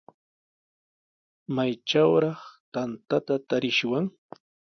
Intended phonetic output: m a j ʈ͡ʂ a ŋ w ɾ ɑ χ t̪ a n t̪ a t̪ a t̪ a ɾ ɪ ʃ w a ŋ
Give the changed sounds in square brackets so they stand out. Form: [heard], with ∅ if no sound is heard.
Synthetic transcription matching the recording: m a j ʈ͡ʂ a [∅] w ɾ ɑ χ t̪ a n t̪ a t̪ a t̪ a ɾ ɪ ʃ w a ŋ